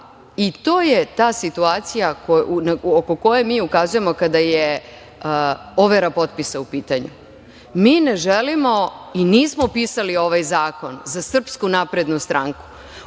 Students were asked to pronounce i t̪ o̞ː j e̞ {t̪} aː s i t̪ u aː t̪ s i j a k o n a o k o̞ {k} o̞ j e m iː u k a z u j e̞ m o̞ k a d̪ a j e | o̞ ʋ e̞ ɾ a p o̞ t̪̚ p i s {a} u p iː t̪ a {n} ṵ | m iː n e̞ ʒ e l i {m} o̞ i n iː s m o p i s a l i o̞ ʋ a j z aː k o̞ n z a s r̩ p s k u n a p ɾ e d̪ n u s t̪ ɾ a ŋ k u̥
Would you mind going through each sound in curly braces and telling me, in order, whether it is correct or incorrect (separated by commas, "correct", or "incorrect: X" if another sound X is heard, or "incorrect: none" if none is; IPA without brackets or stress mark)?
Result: correct, correct, correct, incorrect: ɲ, correct